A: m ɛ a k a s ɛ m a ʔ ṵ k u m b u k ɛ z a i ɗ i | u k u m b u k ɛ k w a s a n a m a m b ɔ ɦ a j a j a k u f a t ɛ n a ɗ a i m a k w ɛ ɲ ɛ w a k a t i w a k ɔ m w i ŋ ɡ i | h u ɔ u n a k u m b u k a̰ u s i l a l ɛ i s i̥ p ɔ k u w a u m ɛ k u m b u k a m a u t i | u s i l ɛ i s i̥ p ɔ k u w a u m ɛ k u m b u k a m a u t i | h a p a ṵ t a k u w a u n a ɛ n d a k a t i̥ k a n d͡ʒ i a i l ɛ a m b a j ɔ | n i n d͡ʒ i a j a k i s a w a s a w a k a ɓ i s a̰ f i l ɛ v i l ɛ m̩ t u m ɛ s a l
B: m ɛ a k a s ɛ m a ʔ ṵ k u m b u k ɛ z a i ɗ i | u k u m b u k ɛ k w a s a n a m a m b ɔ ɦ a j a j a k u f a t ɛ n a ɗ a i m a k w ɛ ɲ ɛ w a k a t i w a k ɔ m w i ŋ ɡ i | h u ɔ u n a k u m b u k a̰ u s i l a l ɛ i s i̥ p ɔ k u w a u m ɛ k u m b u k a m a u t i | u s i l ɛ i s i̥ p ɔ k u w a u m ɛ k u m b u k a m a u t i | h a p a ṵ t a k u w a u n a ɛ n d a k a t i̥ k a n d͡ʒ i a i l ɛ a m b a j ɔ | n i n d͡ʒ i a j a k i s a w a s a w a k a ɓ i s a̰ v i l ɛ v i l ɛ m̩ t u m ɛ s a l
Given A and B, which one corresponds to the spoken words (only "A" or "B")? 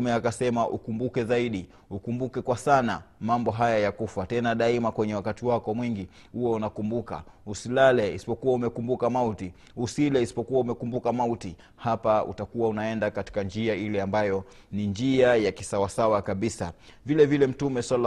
B